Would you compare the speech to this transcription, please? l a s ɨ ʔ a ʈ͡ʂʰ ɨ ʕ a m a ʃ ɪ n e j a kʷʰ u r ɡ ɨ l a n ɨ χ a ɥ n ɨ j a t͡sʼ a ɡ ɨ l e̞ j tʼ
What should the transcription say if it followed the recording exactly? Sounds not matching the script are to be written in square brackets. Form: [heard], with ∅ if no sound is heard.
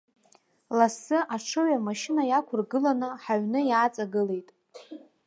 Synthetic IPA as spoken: l a s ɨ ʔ a ʈ͡ʂʰ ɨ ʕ a m a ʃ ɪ n [a] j a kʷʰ [ʊ] r ɡ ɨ l a n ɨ [ħ] a ɥ n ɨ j a t͡sʼ a ɡ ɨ l e̞ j tʼ